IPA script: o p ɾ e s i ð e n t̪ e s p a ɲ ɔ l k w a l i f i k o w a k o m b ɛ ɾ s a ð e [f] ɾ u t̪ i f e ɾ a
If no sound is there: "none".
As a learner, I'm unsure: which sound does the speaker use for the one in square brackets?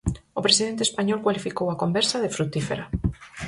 f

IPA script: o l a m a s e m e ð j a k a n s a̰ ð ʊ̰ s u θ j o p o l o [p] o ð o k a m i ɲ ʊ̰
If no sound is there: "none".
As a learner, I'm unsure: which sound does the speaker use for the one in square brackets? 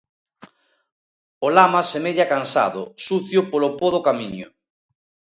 p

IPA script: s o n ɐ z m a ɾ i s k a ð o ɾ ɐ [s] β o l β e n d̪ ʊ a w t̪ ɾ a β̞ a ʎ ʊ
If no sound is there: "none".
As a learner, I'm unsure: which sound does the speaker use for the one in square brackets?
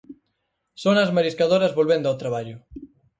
z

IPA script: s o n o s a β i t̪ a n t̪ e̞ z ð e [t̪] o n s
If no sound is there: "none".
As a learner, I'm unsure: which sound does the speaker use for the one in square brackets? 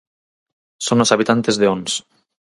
none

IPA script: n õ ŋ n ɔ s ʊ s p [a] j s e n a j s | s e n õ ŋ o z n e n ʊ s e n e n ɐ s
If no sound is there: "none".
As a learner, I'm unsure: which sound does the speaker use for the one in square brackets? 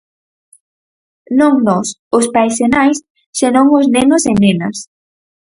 a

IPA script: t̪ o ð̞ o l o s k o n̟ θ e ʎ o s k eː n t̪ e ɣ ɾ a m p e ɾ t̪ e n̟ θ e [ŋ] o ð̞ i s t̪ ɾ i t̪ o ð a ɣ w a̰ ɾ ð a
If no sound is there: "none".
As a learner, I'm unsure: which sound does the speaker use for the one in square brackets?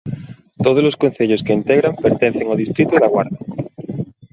ŋ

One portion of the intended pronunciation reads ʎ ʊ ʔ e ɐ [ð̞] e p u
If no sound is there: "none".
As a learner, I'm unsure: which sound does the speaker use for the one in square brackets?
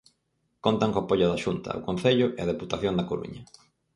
ð̞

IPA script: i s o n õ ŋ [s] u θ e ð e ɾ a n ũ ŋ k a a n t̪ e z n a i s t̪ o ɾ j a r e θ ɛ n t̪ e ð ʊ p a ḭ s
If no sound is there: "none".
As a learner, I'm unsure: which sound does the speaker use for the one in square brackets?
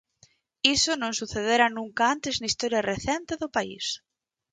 s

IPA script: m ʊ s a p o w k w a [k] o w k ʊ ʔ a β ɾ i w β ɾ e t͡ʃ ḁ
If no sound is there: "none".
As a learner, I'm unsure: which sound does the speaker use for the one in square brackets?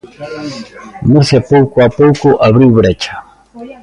p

